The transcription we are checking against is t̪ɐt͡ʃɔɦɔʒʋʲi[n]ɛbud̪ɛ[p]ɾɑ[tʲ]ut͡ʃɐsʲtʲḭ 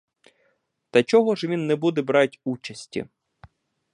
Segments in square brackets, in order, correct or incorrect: incorrect: nː, incorrect: b, correct

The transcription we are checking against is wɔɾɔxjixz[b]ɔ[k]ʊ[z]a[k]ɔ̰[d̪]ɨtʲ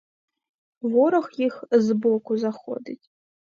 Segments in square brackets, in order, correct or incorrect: correct, correct, correct, incorrect: x, correct

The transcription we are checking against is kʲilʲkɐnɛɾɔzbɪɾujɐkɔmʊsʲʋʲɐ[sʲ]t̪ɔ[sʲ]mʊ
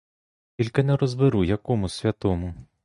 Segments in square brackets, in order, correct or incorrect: incorrect: none, incorrect: none

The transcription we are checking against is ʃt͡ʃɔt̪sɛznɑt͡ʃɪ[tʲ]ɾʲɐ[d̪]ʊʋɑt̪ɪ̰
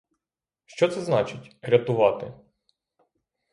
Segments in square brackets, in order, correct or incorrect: correct, incorrect: t̪

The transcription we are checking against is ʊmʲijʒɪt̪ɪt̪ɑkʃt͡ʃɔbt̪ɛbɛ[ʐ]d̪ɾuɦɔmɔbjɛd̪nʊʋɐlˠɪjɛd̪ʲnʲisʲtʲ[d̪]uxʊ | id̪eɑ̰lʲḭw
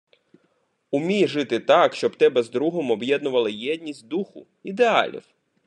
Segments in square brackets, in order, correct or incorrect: incorrect: z, correct

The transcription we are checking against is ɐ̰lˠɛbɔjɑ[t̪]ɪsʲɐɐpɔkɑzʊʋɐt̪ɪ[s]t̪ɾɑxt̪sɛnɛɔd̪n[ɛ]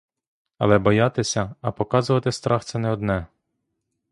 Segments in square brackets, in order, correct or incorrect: correct, correct, correct

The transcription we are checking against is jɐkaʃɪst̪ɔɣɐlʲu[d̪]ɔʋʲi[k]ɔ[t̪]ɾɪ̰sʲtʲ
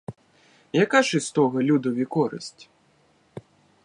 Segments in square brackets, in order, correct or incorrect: correct, correct, incorrect: none

